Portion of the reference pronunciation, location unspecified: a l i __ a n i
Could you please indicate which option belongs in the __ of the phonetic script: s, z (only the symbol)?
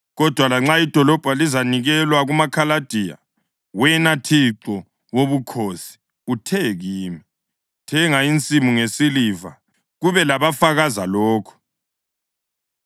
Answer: z